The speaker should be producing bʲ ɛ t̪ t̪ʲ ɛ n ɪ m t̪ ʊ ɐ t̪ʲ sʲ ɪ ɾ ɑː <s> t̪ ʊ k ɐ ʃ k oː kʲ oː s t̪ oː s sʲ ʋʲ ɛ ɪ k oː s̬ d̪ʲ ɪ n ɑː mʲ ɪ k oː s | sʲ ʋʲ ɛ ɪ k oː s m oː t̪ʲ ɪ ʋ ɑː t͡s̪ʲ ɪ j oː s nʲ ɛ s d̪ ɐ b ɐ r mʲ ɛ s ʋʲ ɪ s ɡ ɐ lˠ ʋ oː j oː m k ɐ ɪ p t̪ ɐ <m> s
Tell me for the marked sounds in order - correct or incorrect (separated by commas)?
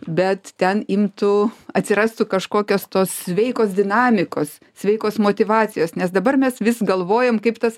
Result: correct, incorrect